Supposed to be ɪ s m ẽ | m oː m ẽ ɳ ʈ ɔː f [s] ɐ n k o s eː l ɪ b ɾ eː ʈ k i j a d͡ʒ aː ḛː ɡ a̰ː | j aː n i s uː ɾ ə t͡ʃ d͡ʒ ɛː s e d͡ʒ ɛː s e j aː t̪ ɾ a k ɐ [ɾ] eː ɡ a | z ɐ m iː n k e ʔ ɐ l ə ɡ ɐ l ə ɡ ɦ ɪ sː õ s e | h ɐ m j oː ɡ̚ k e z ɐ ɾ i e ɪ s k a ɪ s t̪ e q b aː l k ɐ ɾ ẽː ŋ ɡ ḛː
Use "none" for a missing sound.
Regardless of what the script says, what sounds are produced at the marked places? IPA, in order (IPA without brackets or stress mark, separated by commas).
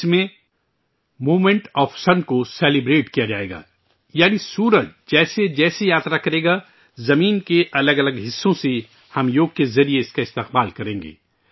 s, ɾ